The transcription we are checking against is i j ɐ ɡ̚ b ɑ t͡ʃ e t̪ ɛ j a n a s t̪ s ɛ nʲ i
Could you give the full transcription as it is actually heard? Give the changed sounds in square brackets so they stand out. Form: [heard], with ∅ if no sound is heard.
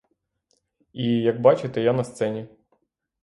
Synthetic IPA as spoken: i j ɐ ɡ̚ b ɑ t͡ʃ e t̪ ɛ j a n [ɐ] s t̪ s ɛ nʲ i